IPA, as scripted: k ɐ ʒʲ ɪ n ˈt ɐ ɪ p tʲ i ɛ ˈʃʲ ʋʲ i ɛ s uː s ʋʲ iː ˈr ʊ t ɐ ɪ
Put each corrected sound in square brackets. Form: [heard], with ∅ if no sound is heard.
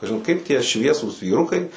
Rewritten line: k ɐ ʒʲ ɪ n [ˈk] ɐ ɪ p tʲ i ɛ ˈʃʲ ʋʲ i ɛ s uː s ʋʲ iː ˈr ʊ [k] ɐ ɪ